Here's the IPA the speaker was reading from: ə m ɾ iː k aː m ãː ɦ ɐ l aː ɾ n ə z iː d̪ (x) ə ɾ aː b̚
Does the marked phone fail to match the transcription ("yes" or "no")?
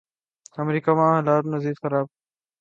no